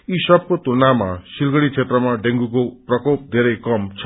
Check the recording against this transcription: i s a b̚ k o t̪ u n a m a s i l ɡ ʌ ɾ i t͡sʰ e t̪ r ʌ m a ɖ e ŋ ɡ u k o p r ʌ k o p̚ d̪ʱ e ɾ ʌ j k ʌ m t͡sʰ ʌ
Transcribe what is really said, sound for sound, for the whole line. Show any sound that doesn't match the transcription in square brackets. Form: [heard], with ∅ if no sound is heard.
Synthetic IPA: i s [ʌ] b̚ k o t̪ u n a m a s i l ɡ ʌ [ɽ] i t͡sʰ e t̪ r ʌ m a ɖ e ŋ ɡ u k o p r ʌ k o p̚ d̪ʱ e ɾ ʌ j k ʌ m t͡sʰ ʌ